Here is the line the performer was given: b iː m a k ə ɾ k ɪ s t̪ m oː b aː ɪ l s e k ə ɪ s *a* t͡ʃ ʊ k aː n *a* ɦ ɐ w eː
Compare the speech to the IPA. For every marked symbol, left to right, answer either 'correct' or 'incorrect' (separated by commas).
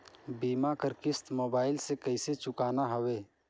incorrect, correct